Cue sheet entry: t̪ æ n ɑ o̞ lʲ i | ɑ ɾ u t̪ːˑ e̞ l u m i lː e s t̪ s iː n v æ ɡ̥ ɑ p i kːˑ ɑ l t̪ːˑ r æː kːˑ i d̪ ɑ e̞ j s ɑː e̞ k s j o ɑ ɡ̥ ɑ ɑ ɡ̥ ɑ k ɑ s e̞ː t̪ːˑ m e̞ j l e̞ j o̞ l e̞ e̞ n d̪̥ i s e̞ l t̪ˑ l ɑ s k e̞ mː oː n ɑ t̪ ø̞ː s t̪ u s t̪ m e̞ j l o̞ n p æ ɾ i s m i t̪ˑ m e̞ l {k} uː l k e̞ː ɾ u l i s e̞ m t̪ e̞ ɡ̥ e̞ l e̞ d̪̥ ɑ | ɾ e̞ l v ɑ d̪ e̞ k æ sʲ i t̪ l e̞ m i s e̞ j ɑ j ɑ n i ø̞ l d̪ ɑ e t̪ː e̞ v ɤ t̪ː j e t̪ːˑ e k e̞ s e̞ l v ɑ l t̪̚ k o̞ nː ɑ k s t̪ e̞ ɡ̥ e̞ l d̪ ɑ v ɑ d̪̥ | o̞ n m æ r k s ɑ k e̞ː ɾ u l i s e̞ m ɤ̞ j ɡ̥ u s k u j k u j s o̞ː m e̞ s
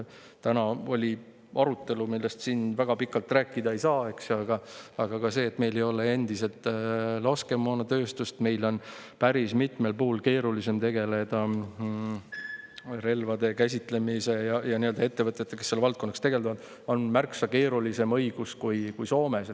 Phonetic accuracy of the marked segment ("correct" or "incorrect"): incorrect